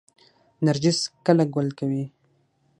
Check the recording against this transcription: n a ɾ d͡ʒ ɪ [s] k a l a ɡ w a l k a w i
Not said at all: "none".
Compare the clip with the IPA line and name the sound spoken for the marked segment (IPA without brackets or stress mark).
s